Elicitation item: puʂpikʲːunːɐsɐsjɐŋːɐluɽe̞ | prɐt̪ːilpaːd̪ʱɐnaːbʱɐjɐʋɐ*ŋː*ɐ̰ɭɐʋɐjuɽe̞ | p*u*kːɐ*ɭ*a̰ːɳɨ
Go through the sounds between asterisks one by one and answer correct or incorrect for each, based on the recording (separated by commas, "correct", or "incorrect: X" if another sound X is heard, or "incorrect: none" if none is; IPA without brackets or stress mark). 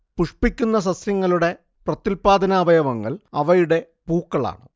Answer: correct, incorrect: uː, correct